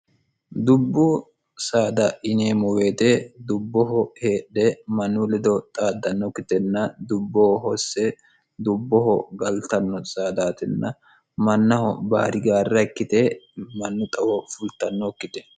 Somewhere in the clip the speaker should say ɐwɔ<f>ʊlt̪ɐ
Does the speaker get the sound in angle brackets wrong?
no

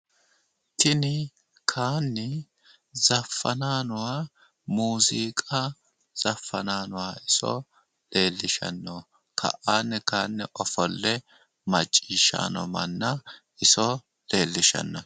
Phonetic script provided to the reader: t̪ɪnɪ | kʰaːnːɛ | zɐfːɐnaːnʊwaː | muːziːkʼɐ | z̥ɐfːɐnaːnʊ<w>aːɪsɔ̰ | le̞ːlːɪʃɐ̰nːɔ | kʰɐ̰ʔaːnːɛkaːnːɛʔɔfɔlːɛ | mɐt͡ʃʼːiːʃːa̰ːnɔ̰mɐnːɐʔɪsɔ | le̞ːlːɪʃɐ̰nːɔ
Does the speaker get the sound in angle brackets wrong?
no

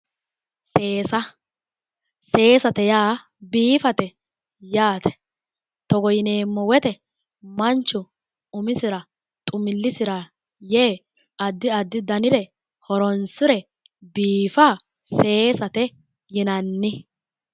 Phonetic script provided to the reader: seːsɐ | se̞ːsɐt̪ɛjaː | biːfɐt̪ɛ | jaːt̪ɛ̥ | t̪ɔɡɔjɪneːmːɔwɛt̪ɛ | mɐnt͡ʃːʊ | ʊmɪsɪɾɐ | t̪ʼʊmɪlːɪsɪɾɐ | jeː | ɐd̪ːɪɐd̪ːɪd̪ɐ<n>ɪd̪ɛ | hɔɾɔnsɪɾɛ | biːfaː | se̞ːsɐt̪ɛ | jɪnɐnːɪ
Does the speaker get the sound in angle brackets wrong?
no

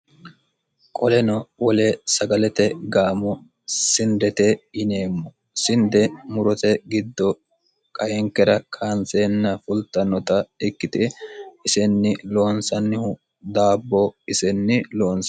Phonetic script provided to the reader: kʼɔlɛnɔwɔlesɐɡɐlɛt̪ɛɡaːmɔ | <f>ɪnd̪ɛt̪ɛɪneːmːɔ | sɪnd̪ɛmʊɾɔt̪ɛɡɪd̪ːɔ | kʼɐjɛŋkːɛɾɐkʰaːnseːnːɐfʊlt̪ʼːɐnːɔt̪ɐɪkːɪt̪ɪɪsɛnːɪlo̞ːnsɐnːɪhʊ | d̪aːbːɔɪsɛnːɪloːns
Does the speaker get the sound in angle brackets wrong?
yes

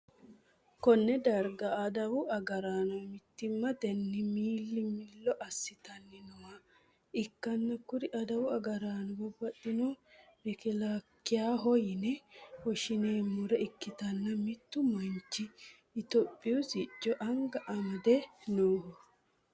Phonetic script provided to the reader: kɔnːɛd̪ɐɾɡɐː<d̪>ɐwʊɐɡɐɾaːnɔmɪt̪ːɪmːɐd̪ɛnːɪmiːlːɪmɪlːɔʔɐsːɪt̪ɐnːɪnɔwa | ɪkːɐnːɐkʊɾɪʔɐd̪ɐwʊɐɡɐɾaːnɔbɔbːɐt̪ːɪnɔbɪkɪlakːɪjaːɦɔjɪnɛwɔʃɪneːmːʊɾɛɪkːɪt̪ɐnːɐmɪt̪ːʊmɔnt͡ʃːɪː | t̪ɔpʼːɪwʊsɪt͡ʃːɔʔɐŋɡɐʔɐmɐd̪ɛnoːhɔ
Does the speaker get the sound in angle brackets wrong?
no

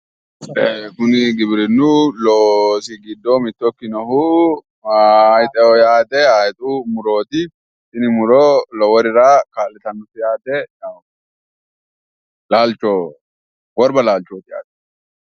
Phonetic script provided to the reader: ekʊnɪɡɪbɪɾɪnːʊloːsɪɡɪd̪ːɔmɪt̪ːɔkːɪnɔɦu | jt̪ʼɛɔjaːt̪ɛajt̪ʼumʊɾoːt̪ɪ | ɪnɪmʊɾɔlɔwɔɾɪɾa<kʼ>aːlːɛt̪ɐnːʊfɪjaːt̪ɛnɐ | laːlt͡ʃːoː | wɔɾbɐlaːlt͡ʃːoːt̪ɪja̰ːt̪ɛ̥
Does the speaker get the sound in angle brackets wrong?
yes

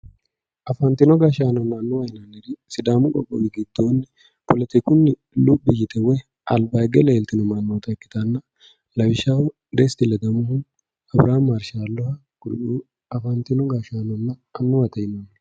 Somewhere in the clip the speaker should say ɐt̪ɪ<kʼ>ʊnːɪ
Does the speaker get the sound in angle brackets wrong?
yes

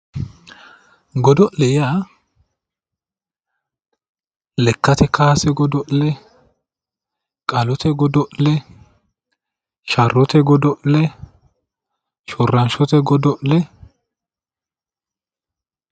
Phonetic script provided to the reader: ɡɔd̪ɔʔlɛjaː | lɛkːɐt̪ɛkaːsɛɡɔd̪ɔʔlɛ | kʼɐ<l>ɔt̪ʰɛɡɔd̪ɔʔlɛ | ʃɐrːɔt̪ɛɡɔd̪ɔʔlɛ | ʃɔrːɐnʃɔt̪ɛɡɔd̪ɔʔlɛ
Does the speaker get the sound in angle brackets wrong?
no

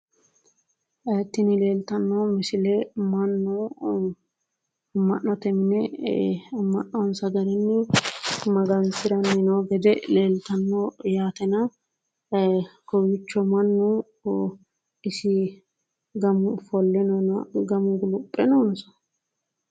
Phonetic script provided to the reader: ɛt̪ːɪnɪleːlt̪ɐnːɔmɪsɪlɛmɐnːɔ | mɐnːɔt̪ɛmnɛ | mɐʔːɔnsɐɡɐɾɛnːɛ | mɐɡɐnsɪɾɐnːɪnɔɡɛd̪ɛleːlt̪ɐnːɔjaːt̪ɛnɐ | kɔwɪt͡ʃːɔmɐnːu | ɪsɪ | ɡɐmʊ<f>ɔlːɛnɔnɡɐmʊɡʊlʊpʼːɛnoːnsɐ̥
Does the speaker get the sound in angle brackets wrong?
no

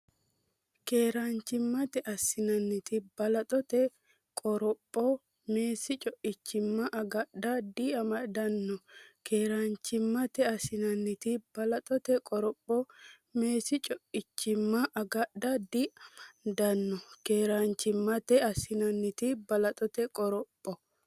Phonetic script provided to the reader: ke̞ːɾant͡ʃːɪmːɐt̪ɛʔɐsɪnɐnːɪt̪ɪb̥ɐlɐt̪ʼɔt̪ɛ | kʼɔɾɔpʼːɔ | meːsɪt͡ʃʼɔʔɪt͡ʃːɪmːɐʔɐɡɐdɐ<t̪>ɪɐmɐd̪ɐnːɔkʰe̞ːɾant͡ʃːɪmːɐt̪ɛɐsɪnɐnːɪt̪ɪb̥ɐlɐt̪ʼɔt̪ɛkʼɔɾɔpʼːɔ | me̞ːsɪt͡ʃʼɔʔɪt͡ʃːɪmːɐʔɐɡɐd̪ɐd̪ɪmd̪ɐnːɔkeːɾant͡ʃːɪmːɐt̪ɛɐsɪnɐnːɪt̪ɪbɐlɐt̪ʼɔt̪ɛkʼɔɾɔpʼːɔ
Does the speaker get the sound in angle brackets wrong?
yes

